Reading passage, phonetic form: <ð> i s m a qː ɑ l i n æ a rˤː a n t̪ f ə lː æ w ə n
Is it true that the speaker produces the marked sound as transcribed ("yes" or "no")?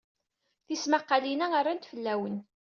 no